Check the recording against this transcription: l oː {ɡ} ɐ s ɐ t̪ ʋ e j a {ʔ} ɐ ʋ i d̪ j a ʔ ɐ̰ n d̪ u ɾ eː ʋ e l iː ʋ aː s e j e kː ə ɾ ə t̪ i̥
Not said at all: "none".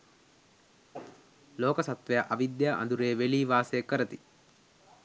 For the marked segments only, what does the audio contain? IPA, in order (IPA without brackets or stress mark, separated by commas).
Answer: k, ʔ